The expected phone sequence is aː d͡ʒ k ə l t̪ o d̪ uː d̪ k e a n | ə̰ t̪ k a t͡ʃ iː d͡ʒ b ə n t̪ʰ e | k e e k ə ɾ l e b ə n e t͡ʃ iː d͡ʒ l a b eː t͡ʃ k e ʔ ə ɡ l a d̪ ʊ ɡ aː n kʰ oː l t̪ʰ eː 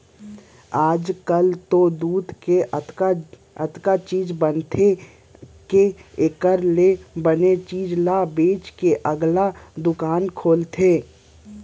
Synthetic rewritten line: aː d͡ʒ k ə l t̪ o d̪ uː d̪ k e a | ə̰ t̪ k a t͡ʃ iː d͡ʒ b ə n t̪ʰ e | k e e k ə ɾ l e b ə n e t͡ʃ iː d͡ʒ l a b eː t͡ʃ k e ʔ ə ɡ l a d̪ ʊ k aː n kʰ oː l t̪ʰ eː

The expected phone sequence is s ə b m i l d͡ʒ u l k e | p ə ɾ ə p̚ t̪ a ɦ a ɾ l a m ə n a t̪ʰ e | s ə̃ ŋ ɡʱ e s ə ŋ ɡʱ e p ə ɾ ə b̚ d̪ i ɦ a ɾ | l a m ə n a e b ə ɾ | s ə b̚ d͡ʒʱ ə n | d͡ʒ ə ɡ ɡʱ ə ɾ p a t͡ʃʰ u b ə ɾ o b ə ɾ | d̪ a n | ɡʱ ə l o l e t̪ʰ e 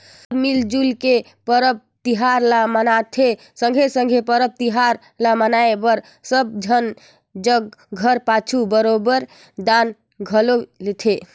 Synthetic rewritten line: s ə b m i l d͡ʒ u l k e | p ə ɾ ə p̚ t̪ i ɦ a ɾ l a m ə n a t̪ʰ e | s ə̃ ŋ ɡʱ e s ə ŋ ɡʱ e p ə ɾ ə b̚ t̪ i ɦ a ɾ | l a m ə n a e b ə ɾ | s ə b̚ d͡ʒʱ ə n | d͡ʒ ə ɡ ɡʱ ə ɾ p a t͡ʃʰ u b ə ɾ o b ə ɾ | d̪ a n | ɡʱ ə l o l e t̪ʰ e

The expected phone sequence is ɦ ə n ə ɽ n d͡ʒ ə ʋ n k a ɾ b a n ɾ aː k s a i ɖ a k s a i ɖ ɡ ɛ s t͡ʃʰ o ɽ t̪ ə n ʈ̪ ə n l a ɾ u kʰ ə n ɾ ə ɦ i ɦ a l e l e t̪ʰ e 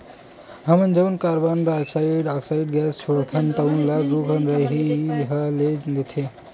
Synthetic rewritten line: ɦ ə m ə n d͡ʒ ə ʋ n k a ɾ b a n ɾ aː k s a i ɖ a k s a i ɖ ɡ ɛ s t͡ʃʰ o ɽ t̪ʰ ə n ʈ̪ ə n l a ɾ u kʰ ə n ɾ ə ɦ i ɦ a l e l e t̪ʰ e

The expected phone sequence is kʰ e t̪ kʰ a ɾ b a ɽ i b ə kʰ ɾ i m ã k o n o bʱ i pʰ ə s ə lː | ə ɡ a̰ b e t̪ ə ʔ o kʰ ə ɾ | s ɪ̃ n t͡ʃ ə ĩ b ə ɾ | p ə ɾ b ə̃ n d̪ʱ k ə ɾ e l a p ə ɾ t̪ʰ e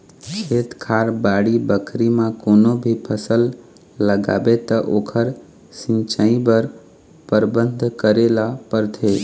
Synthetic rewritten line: kʰ e t̪ kʰ a ɾ b a ɽ i b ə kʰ ɾ i m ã k o n o bʱ i pʰ ə s ə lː | ə ɡ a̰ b e t̪ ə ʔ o kʰ ə ɾ | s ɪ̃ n t͡ʃ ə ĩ b ə ɾ | p ə ɾ b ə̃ n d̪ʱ k ə ɾ e l a p ə ɾ t̪ʰ e

